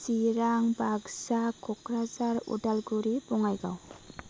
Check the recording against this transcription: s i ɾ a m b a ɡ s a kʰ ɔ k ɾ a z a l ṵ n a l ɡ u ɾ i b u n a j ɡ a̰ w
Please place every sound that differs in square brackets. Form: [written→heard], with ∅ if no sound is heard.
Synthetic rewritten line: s i ɾ a [m→ŋ] b a ɡ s a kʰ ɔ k ɾ a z a [l→ɾ] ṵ [n→d] a l ɡ u ɾ i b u [n→ŋ] a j ɡ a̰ w